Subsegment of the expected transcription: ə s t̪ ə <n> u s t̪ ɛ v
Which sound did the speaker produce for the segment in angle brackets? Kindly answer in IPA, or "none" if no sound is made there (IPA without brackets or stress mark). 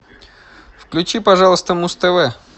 m